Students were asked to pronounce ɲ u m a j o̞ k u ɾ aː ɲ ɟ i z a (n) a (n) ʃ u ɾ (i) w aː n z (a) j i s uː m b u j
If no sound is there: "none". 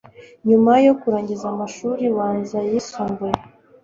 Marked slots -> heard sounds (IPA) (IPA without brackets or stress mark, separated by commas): m, none, i, a